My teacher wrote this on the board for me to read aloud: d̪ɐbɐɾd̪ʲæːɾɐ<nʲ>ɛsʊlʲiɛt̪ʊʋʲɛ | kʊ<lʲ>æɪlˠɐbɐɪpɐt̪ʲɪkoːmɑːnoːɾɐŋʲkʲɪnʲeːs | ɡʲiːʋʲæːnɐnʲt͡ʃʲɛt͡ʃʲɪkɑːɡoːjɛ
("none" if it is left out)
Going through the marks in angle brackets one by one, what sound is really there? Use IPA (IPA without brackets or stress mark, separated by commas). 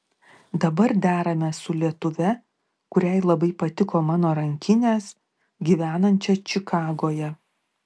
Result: mʲ, ɾʲ